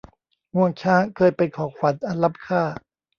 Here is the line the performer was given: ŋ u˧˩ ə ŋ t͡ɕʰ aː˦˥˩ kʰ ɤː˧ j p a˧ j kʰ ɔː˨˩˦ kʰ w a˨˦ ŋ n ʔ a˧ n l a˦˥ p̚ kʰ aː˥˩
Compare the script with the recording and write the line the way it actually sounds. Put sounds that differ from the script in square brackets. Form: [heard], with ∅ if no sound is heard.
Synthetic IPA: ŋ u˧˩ ə ŋ t͡ɕʰ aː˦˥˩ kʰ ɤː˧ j p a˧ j kʰ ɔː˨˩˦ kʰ w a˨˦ [∅] n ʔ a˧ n l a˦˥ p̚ kʰ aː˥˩